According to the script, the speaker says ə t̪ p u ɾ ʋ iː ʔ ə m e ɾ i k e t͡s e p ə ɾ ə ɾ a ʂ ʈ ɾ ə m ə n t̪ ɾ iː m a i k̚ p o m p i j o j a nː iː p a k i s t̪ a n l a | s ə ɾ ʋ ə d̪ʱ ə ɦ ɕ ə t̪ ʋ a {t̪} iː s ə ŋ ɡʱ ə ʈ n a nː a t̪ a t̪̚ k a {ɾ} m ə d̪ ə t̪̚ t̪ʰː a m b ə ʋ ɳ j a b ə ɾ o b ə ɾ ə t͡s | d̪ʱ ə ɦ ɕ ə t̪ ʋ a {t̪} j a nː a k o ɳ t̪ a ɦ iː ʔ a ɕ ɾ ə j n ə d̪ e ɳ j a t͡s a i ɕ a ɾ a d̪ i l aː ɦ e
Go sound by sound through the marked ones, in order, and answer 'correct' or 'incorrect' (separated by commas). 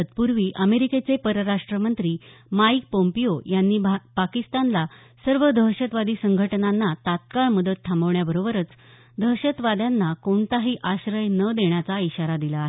incorrect, incorrect, incorrect